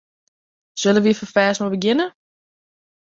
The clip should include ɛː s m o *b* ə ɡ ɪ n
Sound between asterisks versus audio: correct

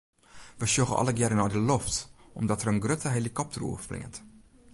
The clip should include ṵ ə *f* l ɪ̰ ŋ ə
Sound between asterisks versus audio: correct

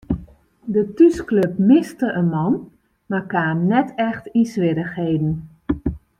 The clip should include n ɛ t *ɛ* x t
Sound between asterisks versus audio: correct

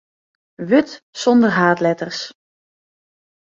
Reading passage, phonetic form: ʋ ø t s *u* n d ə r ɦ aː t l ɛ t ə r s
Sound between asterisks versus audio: incorrect: ɔ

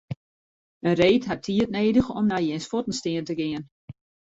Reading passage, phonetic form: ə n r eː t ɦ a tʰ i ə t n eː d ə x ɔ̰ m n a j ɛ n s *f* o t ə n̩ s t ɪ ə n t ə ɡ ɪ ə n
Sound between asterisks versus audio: correct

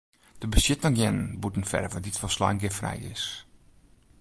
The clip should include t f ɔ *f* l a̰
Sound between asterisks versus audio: incorrect: s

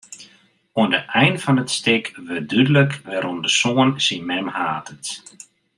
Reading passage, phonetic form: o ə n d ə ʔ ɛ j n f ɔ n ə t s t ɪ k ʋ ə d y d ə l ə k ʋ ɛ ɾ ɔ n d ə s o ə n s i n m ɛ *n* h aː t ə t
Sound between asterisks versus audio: incorrect: m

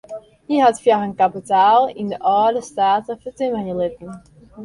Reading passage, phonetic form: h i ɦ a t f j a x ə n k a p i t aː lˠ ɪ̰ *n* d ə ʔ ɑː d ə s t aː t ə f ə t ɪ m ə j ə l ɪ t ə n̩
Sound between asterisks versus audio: correct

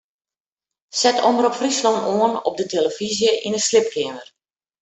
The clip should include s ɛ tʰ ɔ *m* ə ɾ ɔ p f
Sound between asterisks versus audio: correct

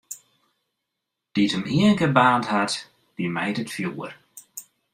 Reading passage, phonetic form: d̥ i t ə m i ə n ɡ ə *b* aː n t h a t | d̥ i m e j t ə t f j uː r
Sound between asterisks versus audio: correct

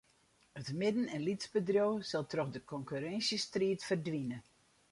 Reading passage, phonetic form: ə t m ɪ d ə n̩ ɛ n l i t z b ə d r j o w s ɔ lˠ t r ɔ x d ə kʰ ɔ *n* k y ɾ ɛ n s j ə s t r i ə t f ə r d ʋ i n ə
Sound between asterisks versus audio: incorrect: ŋ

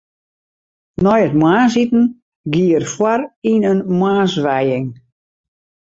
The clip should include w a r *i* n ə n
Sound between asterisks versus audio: correct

